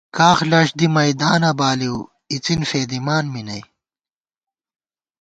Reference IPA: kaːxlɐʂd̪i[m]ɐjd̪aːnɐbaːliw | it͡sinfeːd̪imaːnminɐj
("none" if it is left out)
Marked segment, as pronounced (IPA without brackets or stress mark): m